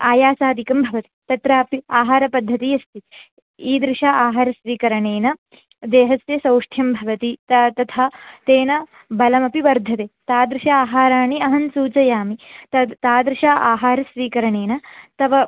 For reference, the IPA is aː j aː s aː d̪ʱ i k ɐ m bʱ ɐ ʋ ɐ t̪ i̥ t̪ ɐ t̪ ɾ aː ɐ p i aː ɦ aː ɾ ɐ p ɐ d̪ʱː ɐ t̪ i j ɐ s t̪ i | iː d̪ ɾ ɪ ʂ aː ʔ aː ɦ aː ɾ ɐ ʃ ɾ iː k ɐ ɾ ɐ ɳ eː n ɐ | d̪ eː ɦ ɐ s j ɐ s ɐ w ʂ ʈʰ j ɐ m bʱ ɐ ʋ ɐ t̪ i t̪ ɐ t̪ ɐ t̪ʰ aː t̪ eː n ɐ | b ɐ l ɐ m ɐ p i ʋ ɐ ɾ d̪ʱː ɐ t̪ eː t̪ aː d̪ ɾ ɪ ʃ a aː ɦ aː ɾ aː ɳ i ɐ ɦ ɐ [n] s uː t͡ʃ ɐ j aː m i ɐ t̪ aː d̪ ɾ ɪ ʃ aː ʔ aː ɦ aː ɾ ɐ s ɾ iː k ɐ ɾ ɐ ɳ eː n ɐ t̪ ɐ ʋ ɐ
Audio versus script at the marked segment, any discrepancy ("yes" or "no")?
no